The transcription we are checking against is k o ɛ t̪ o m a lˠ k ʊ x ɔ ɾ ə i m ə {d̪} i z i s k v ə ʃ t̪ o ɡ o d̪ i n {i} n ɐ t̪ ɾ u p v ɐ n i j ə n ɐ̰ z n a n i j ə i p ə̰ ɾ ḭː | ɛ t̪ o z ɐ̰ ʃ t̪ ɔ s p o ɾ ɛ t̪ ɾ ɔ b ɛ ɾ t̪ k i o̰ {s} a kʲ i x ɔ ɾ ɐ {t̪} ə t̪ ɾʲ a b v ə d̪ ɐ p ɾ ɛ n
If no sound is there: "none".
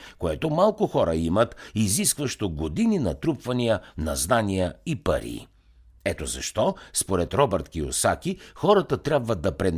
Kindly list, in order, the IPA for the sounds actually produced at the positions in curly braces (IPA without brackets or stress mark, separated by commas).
t̪, i, s, t̪